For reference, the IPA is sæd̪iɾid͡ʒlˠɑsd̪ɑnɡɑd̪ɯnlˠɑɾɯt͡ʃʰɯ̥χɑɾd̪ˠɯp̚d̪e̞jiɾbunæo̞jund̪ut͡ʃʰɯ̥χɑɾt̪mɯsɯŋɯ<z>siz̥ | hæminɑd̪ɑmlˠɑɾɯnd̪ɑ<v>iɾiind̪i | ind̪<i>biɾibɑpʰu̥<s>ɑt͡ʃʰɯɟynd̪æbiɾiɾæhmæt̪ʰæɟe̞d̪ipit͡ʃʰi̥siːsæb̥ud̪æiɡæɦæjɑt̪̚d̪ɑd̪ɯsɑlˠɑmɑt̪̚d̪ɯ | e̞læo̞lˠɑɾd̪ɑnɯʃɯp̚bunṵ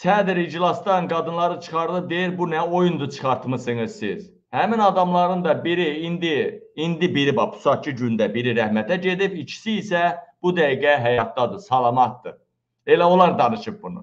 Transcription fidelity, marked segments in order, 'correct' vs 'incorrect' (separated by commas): correct, incorrect, correct, correct